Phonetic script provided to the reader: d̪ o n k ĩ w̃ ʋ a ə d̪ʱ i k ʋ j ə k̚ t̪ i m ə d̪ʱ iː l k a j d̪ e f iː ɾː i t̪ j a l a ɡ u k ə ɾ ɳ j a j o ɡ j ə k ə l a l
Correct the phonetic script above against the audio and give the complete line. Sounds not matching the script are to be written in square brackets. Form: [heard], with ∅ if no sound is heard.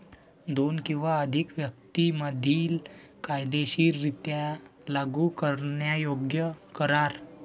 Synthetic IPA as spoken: d̪ o n k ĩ w̃ ʋ a ə d̪ʱ i k ʋ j ə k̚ t̪ i m ə d̪ʱ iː l k a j d̪ e [ɕ] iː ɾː i t̪ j a l a ɡ u k ə ɾ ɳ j a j o ɡ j ə k ə [ɾ] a [ɾ]